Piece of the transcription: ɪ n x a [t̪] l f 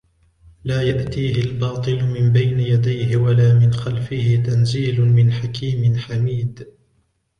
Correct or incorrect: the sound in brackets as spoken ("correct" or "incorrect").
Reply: incorrect